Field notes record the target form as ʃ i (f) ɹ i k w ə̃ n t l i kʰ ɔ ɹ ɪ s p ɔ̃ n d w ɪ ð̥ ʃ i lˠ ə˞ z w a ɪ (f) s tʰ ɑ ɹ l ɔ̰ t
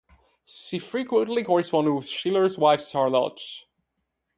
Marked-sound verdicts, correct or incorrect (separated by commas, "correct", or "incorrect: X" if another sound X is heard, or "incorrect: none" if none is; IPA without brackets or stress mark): correct, correct